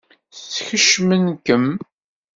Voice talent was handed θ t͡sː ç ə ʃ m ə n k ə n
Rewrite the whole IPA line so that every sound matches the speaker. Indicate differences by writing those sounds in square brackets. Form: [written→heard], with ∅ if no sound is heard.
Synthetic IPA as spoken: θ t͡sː ç ə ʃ m ə n k ə [n→m]